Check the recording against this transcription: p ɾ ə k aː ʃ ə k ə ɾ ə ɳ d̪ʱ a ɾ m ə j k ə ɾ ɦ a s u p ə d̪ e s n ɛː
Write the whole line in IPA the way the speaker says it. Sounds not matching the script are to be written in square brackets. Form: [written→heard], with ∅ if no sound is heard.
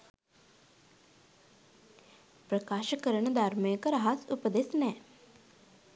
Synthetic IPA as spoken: p ɾ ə k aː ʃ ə k ə ɾ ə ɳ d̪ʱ a ɾ m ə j k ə ɾ ɦ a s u p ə d̪ e s n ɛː